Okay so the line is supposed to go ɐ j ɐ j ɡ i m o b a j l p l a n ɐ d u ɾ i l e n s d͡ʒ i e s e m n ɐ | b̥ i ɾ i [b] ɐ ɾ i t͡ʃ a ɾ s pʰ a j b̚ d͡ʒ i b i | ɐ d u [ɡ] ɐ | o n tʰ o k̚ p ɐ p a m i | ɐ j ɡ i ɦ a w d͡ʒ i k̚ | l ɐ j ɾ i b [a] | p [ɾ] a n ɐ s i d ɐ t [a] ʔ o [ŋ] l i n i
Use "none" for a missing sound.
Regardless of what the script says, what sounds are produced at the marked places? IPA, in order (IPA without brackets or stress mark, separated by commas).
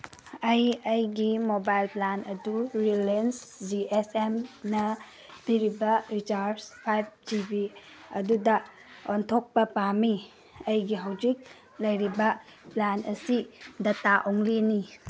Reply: b, d, ɐ, l, a, ŋ